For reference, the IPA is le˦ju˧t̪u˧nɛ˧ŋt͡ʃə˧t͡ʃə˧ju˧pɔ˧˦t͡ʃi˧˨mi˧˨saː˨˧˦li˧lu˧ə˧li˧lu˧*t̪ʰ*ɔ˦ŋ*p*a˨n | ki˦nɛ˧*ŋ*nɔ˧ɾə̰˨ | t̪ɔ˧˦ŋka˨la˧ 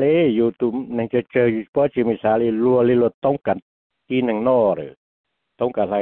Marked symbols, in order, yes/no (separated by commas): no, no, yes